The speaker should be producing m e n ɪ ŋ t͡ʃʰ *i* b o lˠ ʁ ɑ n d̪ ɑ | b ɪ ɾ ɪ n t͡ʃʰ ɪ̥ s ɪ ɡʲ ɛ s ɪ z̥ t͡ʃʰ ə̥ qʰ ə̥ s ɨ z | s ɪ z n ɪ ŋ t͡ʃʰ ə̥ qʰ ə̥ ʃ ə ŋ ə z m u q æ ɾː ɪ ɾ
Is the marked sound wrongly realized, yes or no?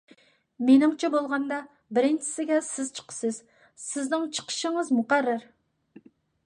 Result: yes